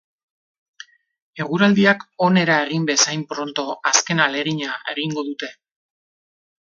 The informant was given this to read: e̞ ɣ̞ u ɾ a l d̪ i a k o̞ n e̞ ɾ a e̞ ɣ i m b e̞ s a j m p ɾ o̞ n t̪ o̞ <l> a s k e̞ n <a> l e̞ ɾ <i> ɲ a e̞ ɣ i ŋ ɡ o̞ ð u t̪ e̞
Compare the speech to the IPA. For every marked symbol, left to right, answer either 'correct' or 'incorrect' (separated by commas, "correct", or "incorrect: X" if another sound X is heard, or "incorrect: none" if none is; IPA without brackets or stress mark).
incorrect: none, correct, correct